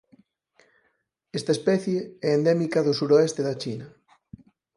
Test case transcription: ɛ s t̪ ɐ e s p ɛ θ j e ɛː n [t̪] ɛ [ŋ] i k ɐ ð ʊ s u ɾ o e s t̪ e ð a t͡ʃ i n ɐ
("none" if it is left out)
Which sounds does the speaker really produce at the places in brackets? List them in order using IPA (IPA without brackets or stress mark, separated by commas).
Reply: d̪, m